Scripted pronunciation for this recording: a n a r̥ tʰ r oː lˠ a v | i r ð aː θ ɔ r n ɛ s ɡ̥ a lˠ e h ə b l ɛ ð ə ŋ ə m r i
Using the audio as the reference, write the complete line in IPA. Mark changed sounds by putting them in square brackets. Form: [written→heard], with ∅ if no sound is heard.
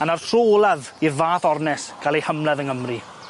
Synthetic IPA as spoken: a n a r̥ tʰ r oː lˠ a [v→ð] | i r [ð→v] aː θ ɔ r n ɛ s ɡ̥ a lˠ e h ə [b→m] l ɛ ð ə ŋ ə m r i